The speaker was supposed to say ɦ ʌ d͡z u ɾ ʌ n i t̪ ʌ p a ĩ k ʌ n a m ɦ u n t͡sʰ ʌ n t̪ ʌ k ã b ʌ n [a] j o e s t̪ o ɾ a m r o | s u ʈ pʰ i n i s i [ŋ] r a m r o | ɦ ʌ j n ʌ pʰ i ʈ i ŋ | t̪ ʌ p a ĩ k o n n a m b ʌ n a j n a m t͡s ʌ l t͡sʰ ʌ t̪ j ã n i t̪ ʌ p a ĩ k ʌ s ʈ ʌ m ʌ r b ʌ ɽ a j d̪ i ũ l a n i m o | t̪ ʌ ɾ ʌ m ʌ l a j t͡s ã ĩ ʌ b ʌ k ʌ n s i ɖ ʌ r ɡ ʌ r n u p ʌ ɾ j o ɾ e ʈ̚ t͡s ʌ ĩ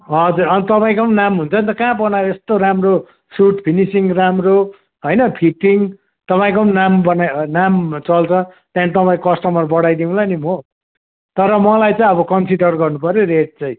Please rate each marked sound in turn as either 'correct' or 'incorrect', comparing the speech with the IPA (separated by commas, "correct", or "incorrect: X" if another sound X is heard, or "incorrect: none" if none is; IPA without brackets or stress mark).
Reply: correct, correct